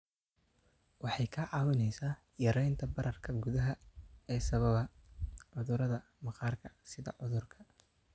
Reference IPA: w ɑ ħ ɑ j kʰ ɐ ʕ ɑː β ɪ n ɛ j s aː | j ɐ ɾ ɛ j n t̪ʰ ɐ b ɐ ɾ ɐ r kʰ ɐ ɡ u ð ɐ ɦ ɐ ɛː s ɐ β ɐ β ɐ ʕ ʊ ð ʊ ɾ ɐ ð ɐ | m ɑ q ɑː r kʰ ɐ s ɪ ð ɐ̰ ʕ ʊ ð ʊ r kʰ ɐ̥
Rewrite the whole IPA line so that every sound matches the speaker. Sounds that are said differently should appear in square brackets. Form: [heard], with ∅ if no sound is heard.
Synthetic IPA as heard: w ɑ ħ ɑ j kʰ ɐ ʕ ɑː [w] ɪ n ɛ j s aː | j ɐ ɾ ɛ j n t̪ʰ ɐ b ɐ ɾ ɐ r kʰ ɐ ɡ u ð ɐ ɦ ɐ ɛː s ɐ β ɐ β ɐ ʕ ʊ ð ʊ ɾ ɐ ð ɐ | m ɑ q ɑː r kʰ ɐ s ɪ ð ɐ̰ ʕ ʊ ð ʊ r kʰ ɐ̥

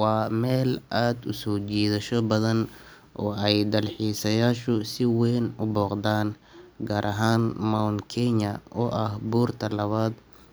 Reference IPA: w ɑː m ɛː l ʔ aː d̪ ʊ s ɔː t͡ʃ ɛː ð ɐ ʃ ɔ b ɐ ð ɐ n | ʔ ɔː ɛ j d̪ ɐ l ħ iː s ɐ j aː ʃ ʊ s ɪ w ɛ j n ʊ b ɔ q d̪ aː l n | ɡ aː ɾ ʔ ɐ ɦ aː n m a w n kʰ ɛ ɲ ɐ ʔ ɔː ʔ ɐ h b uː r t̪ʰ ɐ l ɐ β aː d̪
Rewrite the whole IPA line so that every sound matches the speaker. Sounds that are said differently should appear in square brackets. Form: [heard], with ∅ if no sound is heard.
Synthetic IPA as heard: w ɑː m ɛː l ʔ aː d̪ ʊ s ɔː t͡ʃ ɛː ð ɐ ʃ ɔ b ɐ ð ɐ n | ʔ ɔː ɛ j d̪ ɐ l ħ iː s ɐ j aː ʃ ʊ s ɪ w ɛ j n ʊ b [ɔː] q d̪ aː [∅] n | ɡ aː ɾ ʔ ɐ ɦ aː n m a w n kʰ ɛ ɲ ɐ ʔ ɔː ʔ ɐ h b uː r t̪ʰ ɐ l ɐ β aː d̪

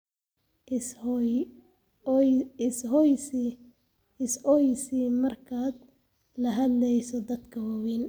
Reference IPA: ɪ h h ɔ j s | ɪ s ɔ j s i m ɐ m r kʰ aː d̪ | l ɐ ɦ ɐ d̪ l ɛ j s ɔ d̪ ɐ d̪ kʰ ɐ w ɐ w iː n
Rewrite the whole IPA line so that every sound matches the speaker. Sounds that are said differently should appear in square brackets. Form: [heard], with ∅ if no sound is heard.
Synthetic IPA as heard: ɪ [s] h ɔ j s | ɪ s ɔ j s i m ɐ [∅] r kʰ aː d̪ | l ɐ ɦ ɐ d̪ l ɛ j s ɔ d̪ ɐ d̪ kʰ ɐ w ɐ w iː n

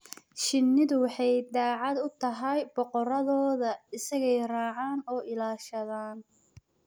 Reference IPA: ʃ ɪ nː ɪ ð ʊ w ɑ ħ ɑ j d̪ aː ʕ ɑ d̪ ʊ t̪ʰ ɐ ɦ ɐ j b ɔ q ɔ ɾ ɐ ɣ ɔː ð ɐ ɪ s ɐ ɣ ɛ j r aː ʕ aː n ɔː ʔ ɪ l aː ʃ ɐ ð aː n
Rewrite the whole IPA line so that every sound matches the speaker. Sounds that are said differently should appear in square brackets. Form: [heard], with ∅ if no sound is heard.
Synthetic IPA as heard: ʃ ɪ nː ɪ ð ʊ w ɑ ħ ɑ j d̪ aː ʕ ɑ d̪ ʊ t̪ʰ ɐ ɦ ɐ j b ɔ q ɔ ɾ ɐ [ð] ɔː ð ɐ ɪ s ɐ ɣ ɛ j r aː ʕ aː n ɔː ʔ ɪ l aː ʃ ɐ ð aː n

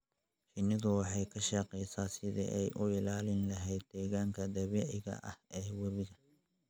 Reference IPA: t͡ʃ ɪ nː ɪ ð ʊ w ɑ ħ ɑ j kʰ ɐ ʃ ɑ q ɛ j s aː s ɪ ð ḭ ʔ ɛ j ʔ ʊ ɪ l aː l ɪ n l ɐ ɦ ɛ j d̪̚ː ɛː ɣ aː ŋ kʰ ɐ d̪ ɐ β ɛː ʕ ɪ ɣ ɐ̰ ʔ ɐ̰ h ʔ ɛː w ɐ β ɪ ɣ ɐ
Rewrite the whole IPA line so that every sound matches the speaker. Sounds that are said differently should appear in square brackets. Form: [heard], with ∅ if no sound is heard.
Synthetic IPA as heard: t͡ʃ ɪ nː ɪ ð ʊ w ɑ ħ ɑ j kʰ ɐ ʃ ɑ q ɛ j s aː s ɪ ð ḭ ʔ ɛ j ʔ ʊ ɪ l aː l ɪ n l ɐ ɦ ɛ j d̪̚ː ɛː ɣ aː ŋ kʰ ɐ d̪ ɐ β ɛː ʕ ɪ ɣ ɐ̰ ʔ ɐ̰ h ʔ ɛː w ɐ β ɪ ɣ ɐ

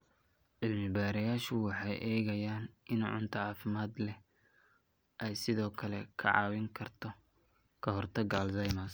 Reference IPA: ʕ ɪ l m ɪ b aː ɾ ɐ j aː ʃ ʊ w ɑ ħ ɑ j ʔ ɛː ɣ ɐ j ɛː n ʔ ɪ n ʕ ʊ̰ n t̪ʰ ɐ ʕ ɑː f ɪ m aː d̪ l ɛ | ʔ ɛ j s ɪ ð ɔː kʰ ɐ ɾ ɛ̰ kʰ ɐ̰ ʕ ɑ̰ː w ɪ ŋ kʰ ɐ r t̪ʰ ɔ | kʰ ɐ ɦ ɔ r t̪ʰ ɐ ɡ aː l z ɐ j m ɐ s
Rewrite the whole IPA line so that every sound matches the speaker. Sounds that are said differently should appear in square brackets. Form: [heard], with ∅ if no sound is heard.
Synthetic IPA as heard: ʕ ɪ l m ɪ b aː ɾ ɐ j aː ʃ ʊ w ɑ ħ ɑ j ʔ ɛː ɣ ɐ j [aː] n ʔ ɪ n ʕ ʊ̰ n t̪ʰ ɐ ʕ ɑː f ɪ m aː d̪ l ɛ | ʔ ɛ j s ɪ ð ɔː kʰ ɐ [l] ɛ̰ kʰ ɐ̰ ʕ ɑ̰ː w ɪ ŋ kʰ ɐ r t̪ʰ ɔ | kʰ ɐ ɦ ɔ r t̪ʰ ɐ ɡ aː l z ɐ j m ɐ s

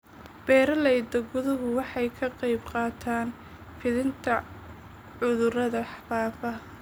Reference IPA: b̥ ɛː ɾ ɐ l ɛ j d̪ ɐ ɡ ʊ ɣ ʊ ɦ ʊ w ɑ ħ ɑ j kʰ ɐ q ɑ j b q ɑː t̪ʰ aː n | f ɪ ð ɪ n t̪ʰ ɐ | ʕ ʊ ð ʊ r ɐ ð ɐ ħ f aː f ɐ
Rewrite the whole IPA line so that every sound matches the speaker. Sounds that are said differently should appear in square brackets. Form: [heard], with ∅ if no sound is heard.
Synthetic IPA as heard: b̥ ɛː ɾ ɐ l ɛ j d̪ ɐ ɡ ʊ [ð] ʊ ɦ ʊ w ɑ ħ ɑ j kʰ ɐ q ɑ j b q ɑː t̪ʰ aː n | f ɪ ð ɪ n t̪ʰ ɐ | ʕ ʊ ð ʊ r ɐ ð ɐ ħ f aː f ɐ

